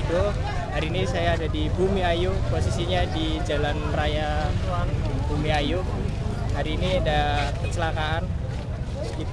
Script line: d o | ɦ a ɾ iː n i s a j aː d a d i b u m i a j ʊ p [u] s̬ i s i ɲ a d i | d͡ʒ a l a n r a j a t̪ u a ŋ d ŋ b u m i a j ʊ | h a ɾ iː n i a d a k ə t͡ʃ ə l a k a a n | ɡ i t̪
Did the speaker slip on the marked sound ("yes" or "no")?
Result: yes